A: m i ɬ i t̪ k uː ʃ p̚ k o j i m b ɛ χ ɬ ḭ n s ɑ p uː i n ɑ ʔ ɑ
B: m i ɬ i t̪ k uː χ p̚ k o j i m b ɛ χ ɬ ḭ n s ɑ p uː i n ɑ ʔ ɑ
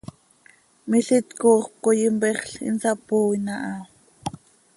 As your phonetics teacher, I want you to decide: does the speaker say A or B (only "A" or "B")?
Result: B